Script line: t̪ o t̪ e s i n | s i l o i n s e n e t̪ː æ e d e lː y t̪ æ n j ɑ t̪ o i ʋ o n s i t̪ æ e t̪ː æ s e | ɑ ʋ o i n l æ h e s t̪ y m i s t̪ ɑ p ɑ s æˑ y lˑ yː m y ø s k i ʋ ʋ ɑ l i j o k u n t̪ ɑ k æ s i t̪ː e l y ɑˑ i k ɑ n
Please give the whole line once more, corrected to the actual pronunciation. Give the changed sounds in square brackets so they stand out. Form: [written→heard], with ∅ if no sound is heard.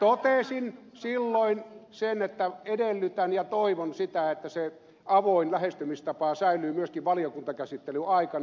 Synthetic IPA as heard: t̪ o t̪ e s i n | s i [l→lː] o i n s e n e t̪ː æ e d e lː y t̪ æ n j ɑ t̪ o i ʋ o n s i t̪ æ e t̪ː æ s e | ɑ ʋ o i n l æ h e s t̪ y m i s t̪ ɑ p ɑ s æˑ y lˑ yː m y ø s k i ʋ ʋ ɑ l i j o k u n t̪ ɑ k æ s i t̪ː e l y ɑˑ i k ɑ n